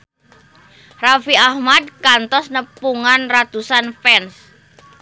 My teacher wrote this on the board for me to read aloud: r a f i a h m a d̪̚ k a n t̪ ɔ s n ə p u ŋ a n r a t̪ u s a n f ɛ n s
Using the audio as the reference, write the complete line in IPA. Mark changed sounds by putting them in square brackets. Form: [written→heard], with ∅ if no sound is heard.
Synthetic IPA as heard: r a f i a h m a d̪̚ k a n t̪ ɔ s n ə p u ŋ a n r a t̪ u s a n f ɛ n s